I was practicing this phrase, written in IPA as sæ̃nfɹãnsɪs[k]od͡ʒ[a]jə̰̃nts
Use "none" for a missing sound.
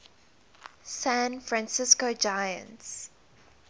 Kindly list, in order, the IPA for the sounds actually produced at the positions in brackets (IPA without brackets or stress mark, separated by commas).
k, a